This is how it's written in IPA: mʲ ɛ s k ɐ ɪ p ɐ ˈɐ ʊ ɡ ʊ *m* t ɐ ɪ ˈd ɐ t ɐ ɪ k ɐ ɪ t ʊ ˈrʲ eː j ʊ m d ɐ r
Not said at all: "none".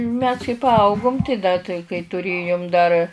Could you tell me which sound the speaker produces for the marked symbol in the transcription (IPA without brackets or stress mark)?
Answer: m